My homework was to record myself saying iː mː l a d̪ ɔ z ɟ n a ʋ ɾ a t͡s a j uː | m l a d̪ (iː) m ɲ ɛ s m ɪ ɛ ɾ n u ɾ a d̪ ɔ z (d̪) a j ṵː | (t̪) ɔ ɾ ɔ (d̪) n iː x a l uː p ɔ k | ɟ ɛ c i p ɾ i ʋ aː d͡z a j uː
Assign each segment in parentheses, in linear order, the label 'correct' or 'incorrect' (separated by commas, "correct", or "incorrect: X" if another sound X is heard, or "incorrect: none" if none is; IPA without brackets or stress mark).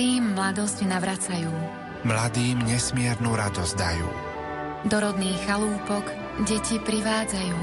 correct, correct, incorrect: d̪, correct